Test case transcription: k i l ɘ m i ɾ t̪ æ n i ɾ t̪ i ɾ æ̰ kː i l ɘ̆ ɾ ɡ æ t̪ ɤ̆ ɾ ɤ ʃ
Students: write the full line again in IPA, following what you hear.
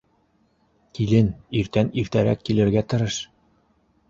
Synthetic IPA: k i l ɘ n i ɾ t̪ æ n i ɾ t̪ æ ɾ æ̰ kː i l ɘ̆ ɾ ɡ æ t̪ ɤ̆ ɾ ɤ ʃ